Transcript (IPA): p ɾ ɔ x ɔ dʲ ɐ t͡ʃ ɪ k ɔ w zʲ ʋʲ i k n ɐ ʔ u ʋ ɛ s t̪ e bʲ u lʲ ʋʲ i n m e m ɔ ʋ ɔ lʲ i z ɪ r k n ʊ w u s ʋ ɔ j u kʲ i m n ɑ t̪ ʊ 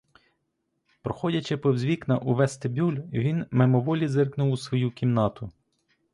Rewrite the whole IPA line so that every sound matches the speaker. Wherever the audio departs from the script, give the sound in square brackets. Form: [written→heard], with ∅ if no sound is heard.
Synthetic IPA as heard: p ɾ ɔ x ɔ dʲ ɐ t͡ʃ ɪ [k→p] ɔ w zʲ ʋʲ i k n ɐ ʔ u ʋ ɛ s t̪ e bʲ u lʲ ʋʲ i n m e m ɔ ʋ ɔ lʲ i z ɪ r k n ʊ w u s ʋ ɔ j u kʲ i m n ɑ t̪ ʊ